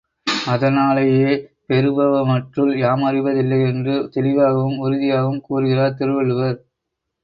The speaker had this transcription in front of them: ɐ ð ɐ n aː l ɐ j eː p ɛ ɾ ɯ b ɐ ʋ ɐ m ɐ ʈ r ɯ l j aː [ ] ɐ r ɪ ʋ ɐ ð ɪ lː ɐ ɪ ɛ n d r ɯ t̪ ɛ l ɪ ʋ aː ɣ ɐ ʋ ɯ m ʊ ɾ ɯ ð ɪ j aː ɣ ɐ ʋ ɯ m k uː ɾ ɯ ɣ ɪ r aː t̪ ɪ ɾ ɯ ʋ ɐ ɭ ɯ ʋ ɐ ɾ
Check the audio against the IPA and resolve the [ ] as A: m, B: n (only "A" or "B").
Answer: A